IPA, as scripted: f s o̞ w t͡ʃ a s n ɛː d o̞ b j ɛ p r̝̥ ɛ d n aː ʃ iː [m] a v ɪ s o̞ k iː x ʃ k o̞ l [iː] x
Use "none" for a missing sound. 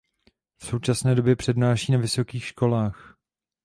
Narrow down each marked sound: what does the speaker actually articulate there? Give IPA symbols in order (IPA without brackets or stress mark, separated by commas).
n, aː